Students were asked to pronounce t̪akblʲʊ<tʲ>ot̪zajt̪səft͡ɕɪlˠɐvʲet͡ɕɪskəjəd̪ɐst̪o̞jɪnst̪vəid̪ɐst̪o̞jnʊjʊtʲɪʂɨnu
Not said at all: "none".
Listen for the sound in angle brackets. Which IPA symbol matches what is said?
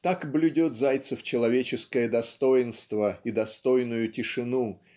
dʲ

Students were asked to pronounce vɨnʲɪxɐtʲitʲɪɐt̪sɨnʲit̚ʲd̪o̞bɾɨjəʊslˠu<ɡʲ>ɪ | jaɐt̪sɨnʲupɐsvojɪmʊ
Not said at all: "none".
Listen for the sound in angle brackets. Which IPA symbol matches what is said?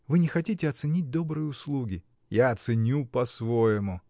ɡʲ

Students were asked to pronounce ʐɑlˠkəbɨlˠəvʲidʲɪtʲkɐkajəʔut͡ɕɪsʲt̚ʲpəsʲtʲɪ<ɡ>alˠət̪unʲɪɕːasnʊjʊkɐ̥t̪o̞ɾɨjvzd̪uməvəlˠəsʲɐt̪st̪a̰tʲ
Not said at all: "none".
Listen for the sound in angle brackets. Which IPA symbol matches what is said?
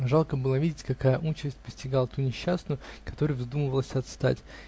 ɡ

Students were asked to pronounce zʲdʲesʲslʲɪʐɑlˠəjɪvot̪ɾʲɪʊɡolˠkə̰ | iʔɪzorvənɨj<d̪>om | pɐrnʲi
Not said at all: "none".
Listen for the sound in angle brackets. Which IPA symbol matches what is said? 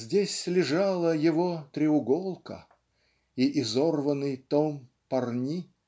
t̪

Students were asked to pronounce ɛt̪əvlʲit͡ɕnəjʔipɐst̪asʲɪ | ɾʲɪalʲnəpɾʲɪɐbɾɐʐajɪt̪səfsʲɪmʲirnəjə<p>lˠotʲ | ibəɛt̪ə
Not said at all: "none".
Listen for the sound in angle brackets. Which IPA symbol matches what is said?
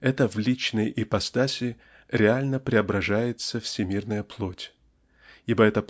p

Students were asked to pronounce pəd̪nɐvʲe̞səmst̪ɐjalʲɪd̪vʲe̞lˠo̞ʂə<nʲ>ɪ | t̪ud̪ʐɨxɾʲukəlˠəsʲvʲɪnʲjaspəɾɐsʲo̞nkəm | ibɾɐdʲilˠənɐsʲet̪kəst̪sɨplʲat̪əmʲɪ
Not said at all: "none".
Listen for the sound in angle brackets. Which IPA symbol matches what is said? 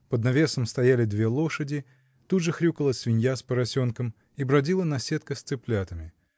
dʲ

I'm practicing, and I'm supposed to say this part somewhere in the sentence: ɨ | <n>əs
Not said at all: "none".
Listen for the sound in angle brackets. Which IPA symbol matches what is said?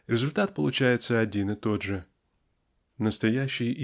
n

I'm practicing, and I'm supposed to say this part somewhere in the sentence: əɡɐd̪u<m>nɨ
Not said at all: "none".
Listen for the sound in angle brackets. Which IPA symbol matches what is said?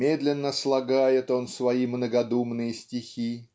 m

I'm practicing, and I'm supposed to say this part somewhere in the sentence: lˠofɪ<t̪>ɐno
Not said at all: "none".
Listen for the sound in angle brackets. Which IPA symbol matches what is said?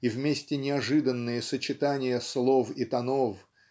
t̪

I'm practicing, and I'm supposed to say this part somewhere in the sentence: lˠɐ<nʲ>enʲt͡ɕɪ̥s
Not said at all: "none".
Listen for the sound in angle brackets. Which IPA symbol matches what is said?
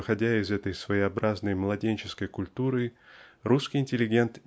dʲ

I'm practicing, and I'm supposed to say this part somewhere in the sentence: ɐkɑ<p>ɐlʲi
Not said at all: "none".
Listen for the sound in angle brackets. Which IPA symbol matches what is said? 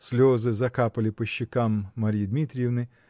p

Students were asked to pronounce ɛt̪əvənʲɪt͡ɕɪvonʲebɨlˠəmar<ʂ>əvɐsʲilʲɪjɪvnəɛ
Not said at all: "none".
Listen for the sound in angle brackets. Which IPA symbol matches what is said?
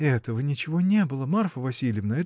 f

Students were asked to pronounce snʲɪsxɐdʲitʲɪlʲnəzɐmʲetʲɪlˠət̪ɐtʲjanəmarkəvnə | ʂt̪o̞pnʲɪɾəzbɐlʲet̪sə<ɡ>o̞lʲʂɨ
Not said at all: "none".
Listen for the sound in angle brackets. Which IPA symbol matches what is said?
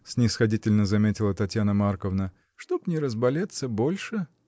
b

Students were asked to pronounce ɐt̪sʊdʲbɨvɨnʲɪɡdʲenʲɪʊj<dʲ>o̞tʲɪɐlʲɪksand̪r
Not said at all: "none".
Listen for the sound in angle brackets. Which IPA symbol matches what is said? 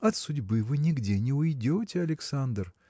dʲ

